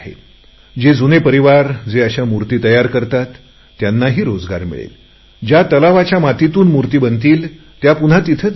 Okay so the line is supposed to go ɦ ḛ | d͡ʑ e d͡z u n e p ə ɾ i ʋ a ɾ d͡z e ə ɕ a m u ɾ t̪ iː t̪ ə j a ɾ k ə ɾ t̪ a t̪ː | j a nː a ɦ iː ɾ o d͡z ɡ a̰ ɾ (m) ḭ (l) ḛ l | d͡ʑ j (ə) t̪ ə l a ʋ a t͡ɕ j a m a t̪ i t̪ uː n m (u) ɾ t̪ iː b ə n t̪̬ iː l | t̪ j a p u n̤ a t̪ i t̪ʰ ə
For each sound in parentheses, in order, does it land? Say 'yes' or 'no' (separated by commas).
yes, no, no, yes